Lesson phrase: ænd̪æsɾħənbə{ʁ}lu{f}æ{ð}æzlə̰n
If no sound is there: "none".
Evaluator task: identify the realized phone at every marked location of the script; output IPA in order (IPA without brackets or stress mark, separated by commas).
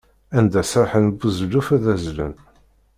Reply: z, f, ð